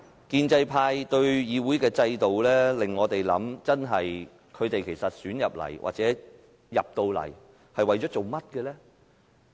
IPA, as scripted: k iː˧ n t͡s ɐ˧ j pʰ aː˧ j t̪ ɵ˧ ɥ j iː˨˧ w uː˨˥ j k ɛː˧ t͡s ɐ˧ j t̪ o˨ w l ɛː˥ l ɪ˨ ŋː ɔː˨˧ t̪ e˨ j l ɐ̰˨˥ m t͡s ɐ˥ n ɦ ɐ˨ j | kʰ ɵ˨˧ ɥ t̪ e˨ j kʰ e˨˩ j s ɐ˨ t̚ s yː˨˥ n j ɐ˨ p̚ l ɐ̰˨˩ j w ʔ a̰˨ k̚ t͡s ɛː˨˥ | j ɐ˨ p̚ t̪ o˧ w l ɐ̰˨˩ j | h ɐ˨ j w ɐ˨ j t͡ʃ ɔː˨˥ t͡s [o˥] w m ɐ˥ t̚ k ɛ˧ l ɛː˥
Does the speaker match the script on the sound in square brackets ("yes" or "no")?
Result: no